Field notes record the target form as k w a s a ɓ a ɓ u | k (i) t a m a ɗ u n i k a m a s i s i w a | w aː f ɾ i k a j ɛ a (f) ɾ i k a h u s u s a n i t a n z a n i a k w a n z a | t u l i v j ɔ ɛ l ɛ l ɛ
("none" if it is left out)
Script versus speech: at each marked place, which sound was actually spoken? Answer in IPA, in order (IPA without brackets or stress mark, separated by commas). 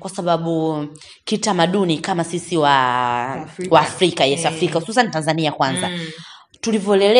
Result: i, f